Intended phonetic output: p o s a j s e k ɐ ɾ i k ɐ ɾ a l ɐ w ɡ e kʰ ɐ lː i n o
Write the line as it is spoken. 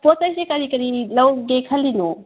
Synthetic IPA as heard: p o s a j s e k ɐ ɾ i k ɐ ɾ i l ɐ w ɡ e kʰ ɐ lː i n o

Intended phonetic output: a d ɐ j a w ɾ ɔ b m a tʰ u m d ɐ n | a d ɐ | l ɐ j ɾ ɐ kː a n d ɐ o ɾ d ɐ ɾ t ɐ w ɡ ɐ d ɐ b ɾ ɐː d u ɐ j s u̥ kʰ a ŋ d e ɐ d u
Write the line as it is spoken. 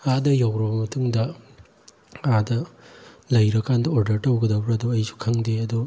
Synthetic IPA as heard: a d ɐ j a w ɾ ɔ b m ɐ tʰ u ŋ d ɐ | a d ɐ | l ɐ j ɾ ɐ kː a n d ɐ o ɾ d ɐ ɾ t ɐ w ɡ ɐ d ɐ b ɾ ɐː d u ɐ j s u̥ kʰ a ŋ d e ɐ d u

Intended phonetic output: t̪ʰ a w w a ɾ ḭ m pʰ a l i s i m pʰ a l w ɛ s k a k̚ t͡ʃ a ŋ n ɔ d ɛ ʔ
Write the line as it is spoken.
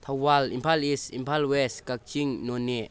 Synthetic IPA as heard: t̪ʰ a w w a l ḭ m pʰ a l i s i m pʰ a l w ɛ s k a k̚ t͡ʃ i ŋ n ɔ n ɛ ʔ

